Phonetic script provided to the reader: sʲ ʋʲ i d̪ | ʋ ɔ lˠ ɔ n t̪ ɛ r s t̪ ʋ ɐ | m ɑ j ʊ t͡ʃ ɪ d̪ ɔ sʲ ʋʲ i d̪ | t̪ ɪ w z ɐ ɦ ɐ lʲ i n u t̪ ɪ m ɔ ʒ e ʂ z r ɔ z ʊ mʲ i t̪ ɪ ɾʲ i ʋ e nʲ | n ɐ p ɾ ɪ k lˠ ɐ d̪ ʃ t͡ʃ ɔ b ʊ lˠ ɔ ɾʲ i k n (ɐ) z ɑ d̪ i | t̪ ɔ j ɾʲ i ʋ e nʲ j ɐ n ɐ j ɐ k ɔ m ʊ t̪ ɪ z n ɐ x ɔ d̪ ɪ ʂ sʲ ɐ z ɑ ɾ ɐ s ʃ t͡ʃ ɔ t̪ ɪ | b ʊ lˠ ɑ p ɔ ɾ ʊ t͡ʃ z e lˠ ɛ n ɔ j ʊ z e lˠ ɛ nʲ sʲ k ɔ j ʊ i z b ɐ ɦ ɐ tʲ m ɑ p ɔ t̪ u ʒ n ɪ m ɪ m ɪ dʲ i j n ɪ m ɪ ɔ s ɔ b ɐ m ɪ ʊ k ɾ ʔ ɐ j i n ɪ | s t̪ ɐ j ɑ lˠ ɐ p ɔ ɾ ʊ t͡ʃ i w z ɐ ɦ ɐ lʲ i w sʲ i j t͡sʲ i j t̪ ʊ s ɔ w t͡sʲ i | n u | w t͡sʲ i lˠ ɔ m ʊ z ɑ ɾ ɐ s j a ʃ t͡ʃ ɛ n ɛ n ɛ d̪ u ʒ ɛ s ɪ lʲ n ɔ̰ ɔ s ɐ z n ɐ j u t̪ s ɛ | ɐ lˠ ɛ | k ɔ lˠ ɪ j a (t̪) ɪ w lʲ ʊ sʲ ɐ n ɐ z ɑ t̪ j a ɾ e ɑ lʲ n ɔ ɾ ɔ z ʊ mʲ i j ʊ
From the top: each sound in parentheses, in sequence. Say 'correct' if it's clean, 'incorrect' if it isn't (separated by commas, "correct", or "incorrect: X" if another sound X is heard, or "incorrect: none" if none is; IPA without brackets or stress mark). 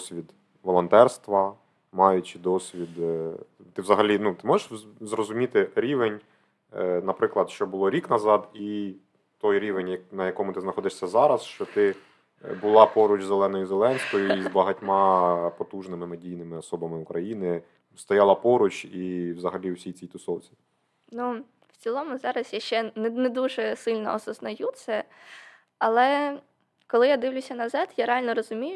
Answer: correct, incorrect: d̪